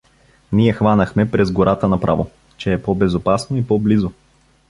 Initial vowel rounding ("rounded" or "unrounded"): unrounded